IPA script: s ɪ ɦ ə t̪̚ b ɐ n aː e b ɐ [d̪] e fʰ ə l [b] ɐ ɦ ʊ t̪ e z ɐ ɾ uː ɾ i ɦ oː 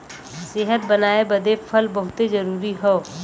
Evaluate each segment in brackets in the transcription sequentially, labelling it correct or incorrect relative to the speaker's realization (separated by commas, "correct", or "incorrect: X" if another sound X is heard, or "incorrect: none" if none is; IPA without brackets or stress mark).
correct, correct